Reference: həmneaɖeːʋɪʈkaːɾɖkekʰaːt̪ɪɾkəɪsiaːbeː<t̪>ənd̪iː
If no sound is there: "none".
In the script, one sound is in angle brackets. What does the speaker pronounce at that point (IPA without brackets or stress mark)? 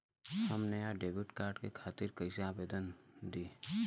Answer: d̪